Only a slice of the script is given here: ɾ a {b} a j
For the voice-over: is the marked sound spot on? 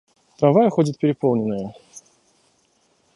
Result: no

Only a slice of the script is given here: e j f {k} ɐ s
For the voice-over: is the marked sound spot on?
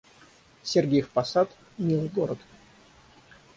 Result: no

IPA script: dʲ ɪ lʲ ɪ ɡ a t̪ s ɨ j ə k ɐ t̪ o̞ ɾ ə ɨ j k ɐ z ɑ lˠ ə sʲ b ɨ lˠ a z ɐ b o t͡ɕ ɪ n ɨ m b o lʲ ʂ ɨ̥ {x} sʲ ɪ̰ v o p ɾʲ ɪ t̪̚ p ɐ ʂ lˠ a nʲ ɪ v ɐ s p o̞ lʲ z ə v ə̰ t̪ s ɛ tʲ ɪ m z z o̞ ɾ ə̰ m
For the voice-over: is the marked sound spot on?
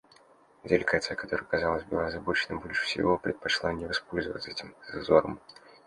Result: no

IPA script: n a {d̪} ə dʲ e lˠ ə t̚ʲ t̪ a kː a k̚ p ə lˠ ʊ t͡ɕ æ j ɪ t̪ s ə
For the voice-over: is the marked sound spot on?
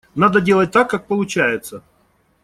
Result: yes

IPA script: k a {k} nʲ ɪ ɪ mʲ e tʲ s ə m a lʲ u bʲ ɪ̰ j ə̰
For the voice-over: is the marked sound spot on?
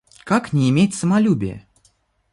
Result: yes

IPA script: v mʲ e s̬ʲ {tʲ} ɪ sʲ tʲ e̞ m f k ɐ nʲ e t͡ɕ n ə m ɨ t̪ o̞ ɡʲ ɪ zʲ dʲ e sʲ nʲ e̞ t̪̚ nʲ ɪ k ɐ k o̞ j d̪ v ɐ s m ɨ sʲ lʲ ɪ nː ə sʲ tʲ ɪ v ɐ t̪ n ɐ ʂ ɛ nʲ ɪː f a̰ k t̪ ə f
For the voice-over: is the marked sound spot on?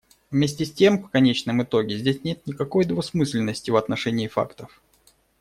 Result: yes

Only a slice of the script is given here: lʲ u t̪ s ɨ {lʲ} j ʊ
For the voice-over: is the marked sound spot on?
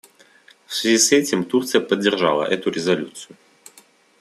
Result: no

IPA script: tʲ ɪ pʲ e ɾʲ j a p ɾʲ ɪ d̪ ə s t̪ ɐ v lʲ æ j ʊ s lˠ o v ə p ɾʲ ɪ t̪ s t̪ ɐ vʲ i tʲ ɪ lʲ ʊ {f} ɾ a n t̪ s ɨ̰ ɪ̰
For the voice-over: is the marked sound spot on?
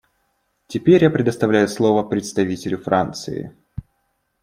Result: yes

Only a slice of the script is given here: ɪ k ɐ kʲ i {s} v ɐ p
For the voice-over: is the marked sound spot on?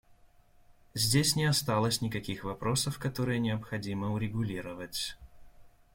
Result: no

